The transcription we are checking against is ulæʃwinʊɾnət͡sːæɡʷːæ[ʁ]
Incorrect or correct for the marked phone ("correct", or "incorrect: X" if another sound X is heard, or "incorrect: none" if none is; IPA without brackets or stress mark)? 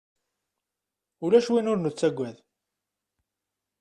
incorrect: ð